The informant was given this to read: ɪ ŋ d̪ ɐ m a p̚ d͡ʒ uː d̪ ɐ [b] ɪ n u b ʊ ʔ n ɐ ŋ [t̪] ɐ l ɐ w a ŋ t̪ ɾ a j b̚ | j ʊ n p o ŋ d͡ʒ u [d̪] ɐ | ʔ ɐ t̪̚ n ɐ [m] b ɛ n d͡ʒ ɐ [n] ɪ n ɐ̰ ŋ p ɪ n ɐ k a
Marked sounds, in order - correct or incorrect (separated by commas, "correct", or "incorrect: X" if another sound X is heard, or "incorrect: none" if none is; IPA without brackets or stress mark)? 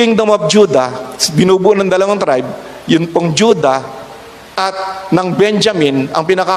correct, incorrect: d̪, correct, incorrect: ŋ, incorrect: m